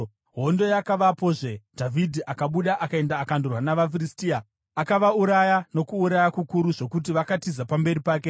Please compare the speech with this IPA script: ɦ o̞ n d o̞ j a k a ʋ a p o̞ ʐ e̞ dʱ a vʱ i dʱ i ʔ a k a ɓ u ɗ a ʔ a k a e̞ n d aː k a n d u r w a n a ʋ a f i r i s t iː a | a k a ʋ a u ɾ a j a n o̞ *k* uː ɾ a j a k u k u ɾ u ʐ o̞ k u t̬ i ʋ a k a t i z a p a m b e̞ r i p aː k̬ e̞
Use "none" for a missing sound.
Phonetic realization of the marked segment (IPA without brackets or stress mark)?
k